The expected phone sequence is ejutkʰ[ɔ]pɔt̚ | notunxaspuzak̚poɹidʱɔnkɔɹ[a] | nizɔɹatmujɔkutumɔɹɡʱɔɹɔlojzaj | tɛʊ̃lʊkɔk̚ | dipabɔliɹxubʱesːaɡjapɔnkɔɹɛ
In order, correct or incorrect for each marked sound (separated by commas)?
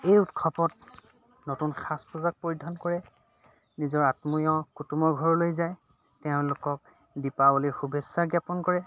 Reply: correct, incorrect